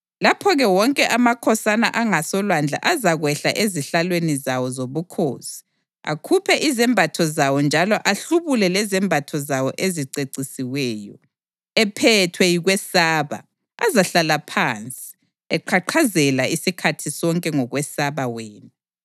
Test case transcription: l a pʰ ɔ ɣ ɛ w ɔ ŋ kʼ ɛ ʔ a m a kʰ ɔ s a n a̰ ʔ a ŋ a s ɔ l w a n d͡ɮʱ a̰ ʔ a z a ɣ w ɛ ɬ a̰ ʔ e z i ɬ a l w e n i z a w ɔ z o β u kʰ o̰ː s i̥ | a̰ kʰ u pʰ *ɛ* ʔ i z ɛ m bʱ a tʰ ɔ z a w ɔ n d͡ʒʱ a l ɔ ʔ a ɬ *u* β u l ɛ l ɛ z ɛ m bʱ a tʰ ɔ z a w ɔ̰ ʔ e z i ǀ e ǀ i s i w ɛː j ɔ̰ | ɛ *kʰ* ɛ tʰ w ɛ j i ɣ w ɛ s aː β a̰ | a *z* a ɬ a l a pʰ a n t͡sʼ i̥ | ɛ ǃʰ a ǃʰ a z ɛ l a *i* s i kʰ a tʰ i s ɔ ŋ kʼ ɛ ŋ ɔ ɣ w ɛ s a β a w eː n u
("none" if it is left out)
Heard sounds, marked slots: ɛ, u, pʰ, z, i

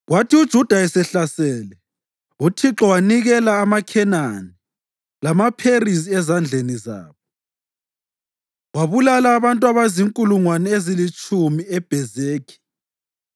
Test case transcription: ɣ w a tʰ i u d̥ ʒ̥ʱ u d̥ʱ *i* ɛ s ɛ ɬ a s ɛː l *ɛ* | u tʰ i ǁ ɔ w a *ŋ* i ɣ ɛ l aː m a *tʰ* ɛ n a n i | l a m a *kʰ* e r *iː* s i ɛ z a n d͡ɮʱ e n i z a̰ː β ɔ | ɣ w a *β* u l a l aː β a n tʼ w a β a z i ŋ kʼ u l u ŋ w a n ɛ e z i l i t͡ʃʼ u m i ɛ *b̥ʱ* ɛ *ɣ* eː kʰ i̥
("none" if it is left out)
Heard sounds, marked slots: a, ɛ, n, kʰ, pʰ, i, β, b̥ʱ, z

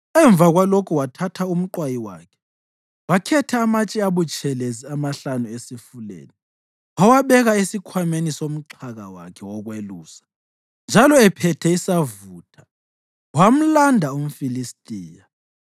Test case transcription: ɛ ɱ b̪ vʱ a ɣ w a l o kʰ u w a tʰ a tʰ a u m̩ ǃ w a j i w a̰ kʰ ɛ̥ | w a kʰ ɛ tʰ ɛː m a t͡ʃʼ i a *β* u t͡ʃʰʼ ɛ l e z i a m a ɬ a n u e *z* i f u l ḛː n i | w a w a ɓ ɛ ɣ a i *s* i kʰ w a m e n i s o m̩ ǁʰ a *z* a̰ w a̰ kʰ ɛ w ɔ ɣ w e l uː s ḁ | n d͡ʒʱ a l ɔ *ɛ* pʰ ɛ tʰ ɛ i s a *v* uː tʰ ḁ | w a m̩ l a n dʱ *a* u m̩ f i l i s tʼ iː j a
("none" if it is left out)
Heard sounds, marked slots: β, s, s, ɣ, ɛ, v, a

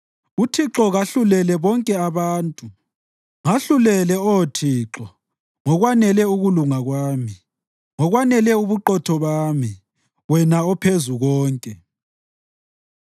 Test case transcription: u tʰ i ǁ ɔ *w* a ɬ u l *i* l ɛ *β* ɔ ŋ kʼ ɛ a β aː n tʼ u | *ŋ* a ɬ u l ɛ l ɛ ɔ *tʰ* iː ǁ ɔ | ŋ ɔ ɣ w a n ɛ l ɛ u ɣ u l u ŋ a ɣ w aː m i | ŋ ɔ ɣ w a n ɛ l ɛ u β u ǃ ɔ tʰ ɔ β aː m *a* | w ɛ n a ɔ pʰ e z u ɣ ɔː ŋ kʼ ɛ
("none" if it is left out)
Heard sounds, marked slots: ɣ, ɛ, β, ŋ, tʰ, i

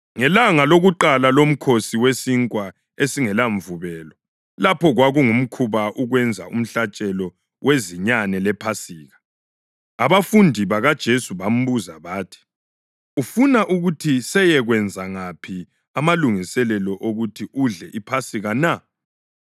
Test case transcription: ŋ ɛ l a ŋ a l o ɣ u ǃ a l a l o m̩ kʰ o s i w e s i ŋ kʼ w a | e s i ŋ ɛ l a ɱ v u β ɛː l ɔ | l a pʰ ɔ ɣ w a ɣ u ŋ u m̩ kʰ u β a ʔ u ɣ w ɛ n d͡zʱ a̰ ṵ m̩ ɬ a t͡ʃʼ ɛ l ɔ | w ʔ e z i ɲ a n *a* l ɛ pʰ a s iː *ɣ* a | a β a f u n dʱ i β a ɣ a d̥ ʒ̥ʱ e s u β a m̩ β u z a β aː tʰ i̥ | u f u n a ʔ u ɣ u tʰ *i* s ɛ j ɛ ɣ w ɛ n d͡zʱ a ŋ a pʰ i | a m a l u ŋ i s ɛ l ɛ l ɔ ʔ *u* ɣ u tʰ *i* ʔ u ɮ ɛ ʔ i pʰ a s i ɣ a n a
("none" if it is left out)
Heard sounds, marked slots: ɛ, ɣ, i, o, i

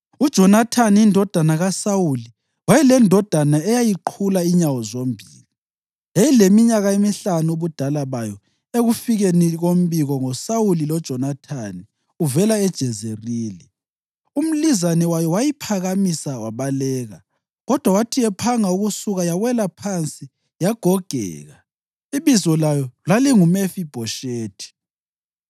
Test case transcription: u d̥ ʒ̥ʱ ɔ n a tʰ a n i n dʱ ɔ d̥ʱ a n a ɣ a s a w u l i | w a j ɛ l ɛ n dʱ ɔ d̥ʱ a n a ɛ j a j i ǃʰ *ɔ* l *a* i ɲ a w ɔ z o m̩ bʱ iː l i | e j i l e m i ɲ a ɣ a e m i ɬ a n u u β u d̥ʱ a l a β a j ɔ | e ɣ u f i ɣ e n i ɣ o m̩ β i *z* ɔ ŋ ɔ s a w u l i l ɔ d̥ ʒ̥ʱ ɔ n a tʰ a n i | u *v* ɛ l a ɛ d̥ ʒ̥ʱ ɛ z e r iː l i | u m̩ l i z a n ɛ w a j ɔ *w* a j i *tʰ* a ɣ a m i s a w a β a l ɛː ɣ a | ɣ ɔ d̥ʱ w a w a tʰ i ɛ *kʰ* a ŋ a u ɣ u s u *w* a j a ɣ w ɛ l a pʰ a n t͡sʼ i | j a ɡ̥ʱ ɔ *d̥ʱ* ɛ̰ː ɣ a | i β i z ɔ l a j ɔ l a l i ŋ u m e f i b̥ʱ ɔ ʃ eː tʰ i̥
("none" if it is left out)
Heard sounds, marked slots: u, a, ɣ, v, w, pʰ, pʰ, ɣ, ɡ̥ʱ

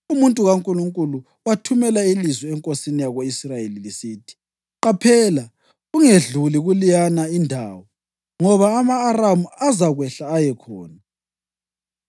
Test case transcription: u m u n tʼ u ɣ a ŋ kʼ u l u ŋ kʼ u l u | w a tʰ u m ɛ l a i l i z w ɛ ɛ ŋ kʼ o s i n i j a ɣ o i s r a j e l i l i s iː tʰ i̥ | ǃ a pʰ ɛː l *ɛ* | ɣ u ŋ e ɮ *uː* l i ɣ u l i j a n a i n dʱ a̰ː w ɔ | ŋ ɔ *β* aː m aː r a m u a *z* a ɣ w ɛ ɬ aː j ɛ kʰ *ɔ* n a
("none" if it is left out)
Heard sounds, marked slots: a, u, β, z, ɔː

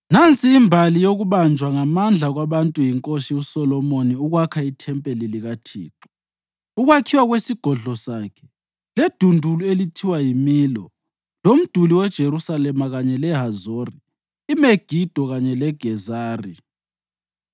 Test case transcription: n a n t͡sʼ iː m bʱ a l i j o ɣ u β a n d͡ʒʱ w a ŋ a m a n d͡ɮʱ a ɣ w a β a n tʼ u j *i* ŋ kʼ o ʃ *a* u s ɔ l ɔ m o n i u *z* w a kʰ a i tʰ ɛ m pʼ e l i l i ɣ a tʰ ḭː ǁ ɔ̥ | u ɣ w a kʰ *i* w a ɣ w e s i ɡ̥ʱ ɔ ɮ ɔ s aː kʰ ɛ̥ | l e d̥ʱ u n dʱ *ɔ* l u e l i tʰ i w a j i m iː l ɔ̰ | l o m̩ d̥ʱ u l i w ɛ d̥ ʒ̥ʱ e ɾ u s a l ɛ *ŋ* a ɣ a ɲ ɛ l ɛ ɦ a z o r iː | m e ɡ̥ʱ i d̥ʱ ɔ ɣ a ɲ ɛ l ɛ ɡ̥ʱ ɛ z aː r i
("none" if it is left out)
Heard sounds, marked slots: i, i, ɣ, i, u, m

